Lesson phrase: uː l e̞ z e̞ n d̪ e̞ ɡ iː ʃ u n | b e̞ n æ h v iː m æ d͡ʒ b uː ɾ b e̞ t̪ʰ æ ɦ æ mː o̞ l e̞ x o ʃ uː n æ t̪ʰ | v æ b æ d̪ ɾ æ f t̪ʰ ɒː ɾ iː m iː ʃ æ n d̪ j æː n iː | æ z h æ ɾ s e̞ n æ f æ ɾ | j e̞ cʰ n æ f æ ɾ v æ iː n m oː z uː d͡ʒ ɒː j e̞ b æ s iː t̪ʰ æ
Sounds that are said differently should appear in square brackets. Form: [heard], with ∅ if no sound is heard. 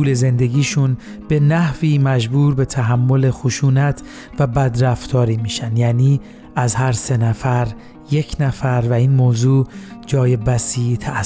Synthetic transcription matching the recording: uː l e̞ z e̞ n d̪ e̞ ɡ iː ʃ u n | b e̞ n æ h v iː m æ d͡ʒ b uː ɾ b e̞ t̪ʰ æ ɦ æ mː o̞ l e̞ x o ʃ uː n æ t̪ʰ | v æ b æ d̪ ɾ æ f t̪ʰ ɒː ɾ iː m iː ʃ æ n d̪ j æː n iː | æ z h æ ɾ s e̞ n æ f æ ɾ | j e̞ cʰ n æ f æ ɾ v æ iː n m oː z uː d͡ʒ ɒː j e̞ b æ s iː t̪ʰ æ